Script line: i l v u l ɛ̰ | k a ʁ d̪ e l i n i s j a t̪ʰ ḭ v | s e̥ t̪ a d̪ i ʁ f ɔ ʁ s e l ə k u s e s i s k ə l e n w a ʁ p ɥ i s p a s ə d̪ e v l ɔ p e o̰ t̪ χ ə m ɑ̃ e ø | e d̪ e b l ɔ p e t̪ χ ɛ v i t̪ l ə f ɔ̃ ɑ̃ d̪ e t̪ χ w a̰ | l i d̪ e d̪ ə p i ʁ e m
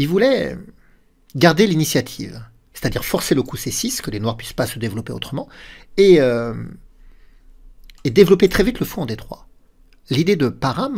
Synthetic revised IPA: i l v u l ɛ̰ | ɡ a ʁ d̪ e l i n i s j a t̪ʰ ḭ v | s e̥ t̪ a d̪ i ʁ f ɔ ʁ s e l ə k u s e s i s k ə l e n w a ʁ p ɥ i s p a s ə d̪ e v l ɔ p e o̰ t̪ χ ə m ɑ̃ e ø | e d̪ e v l ɔ p e t̪ χ ɛ v i t̪ l ə f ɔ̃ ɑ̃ d̪ e t̪ χ w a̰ | l i d̪ e d̪ ə p a ʁ a m